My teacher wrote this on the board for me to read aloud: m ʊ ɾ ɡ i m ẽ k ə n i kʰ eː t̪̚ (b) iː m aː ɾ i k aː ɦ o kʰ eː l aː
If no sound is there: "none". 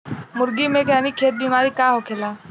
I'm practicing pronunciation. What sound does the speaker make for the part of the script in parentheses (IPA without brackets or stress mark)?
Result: b